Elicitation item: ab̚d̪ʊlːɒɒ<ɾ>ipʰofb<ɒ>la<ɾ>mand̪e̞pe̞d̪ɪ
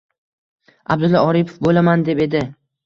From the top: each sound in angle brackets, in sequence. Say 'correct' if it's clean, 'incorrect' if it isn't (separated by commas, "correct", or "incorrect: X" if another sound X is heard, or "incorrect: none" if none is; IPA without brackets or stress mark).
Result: correct, incorrect: o, incorrect: none